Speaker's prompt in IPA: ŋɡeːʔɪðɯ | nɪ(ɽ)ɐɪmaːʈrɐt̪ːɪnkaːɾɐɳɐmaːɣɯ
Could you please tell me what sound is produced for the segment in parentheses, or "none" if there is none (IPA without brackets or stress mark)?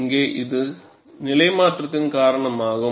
l